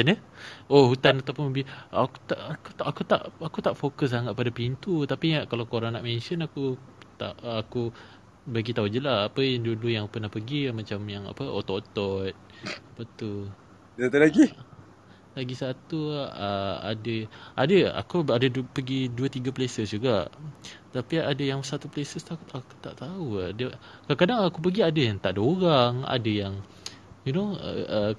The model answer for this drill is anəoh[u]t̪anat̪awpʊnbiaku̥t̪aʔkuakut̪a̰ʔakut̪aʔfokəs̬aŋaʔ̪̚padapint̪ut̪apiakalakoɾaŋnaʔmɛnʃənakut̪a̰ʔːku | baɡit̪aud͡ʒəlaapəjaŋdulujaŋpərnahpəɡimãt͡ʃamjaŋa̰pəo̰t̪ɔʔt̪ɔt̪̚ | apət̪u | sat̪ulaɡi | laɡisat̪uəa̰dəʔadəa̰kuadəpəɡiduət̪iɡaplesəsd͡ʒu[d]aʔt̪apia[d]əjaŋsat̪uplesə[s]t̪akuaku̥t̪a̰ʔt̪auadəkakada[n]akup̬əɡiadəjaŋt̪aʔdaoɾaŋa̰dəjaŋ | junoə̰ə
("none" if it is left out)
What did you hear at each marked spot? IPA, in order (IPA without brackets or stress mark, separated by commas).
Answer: u, ɡ, d, s, ŋ